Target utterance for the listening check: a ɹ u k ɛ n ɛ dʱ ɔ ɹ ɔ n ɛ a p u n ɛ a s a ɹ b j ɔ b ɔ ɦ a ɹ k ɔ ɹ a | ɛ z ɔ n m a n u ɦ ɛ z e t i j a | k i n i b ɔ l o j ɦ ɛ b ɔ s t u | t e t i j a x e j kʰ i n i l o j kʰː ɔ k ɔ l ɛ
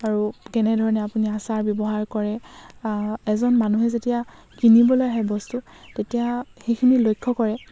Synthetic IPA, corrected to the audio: a ɹ u k ɛ n ɛ dʱ ɔ ɹ ɔ n ɛ a p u n i a s a ɹ b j ɔ b ɔ ɦ a ɹ k ɔ ɹ ɛ | ɛ z ɔ n m a n u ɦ ɛ z e t i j a | k i n i b ɔ l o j ɦ ɛ b ɔ s t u | t e t i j a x e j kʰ i n i l o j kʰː ɔ k ɔ ɹ ɛ